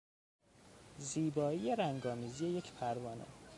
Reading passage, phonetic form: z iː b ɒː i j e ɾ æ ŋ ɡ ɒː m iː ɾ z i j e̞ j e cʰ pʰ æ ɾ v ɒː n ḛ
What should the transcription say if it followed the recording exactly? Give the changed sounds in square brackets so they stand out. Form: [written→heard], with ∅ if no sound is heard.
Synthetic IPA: z iː b ɒː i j e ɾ æ ŋ ɡ ɒː m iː [ɾ→∅] z i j e̞ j e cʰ pʰ æ ɾ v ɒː n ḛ